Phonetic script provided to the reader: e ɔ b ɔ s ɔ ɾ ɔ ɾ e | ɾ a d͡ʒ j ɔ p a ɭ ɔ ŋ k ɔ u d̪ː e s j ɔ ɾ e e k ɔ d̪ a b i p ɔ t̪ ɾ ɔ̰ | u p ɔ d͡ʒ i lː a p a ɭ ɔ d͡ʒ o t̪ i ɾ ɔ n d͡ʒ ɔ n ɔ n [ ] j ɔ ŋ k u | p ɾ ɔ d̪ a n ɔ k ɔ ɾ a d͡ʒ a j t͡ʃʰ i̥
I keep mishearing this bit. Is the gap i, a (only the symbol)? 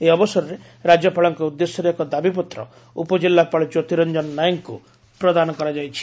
a